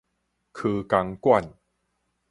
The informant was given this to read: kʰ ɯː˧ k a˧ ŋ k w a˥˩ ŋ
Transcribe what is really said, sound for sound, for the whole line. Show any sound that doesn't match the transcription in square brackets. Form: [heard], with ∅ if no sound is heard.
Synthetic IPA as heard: kʰ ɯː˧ k a˧ ŋ k w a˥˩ [n]